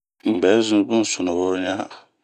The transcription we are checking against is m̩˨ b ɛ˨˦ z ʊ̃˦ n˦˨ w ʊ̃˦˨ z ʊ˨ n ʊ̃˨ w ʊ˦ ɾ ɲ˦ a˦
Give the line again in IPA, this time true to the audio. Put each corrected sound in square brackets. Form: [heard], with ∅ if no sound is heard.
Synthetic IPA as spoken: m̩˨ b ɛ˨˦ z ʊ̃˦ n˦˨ [b] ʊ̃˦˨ [s] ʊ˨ n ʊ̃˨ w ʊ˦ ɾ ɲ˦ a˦